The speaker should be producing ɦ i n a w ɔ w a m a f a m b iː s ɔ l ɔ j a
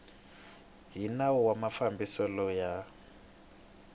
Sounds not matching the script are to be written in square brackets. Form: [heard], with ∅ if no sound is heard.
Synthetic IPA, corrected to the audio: ɦ i n a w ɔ w a m a f a m b [i] s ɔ l ɔ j a